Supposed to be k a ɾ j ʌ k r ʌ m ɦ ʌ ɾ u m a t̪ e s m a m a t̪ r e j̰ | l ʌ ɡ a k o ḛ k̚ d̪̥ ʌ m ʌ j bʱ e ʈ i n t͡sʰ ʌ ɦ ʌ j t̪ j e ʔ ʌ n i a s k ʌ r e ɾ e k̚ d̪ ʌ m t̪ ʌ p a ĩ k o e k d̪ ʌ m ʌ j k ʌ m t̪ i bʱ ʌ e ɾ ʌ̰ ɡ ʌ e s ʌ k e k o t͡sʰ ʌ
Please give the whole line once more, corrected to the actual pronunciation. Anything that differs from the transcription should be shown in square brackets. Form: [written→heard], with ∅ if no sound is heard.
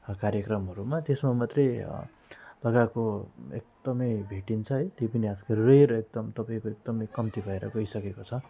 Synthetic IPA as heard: k a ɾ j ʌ k r ʌ m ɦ ʌ ɾ u m a t̪ e s m a m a t̪ r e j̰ | l ʌ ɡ a k o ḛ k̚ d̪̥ ʌ m ʌ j bʱ e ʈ i n t͡sʰ ʌ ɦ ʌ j t̪ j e [ʔ→p] ʌ n i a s k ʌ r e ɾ e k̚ d̪ ʌ m t̪ ʌ p a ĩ k o e k d̪ ʌ m ʌ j k ʌ m t̪ i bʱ ʌ e ɾ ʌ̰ ɡ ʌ [e→i] s ʌ k e k o t͡sʰ ʌ